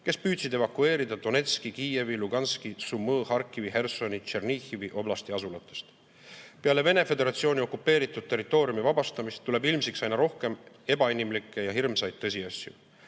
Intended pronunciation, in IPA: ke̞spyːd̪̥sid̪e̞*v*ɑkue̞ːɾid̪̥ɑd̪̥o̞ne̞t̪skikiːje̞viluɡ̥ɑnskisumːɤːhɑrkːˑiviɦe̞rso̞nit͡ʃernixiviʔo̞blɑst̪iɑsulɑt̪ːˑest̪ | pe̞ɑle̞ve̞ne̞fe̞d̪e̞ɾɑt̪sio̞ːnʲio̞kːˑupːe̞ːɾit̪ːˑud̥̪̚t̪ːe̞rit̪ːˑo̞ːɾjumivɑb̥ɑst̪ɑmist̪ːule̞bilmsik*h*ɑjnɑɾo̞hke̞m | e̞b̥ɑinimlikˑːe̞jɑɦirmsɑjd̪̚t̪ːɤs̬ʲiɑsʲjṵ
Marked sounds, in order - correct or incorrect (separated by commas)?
correct, incorrect